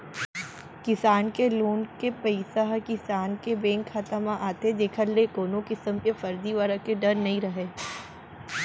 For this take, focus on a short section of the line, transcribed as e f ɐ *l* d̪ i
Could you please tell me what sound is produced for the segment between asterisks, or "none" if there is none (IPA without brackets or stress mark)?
ɾ